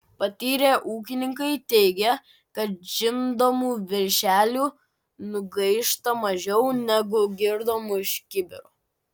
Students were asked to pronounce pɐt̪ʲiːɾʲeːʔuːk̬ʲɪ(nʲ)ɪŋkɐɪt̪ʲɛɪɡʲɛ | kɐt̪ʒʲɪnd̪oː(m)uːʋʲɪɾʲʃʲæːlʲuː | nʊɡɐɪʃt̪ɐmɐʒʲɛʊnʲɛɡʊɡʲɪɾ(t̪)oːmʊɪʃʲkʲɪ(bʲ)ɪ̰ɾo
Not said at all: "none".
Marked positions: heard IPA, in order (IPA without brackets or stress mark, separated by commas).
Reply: nʲ, m, d̪, bʲ